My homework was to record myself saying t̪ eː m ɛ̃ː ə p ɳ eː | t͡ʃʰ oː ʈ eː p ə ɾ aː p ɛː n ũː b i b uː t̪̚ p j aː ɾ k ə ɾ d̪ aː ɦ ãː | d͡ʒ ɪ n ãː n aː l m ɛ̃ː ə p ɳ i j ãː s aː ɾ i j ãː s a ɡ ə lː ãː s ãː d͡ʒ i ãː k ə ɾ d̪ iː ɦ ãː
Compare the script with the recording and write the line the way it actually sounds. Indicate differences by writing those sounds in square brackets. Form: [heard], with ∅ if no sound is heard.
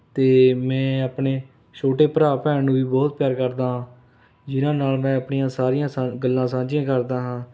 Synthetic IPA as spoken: t̪ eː m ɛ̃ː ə p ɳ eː | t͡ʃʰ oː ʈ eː p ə ɾ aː p ɛː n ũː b [iː] b [ɔː] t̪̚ p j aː ɾ k ə ɾ d̪ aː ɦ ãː | d͡ʒ ɪ n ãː n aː l m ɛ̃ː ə p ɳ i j ãː s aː ɾ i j ãː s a ɡ ə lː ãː s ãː d͡ʒ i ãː k ə ɾ d̪ [aː] ɦ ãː